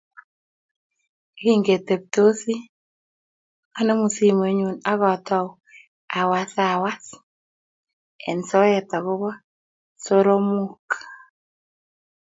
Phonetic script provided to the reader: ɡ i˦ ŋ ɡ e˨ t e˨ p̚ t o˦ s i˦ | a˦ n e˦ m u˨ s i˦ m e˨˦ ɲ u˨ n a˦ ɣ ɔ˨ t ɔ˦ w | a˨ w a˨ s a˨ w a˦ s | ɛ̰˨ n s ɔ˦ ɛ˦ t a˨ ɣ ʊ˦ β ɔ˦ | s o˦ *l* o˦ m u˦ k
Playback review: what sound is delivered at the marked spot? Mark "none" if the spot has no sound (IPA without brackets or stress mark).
ɾ